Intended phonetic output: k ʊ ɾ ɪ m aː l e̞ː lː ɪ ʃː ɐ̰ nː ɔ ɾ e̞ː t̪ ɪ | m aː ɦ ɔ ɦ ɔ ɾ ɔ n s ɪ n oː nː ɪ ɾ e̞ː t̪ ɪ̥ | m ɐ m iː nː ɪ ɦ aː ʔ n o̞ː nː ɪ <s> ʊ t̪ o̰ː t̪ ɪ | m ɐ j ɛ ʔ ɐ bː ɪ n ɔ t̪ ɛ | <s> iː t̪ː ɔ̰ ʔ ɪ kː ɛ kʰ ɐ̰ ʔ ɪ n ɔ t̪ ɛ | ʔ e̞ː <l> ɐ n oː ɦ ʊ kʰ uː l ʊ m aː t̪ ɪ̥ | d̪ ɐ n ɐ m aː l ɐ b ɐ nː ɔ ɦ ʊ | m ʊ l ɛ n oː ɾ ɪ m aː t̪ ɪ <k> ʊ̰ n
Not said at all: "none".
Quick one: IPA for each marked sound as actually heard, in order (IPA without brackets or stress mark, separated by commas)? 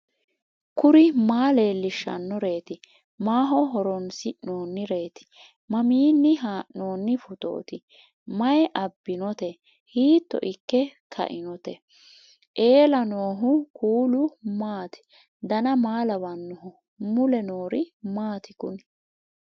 f, h, l, k